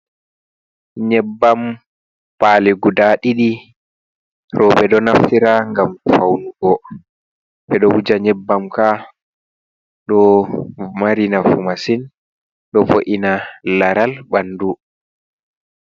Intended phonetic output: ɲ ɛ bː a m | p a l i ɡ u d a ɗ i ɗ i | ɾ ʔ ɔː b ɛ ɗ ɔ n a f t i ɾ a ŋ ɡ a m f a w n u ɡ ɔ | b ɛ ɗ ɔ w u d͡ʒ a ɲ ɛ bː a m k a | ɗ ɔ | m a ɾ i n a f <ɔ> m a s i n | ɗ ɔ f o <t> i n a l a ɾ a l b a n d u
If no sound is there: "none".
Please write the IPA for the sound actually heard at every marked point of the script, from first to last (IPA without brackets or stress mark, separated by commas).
u, ʔ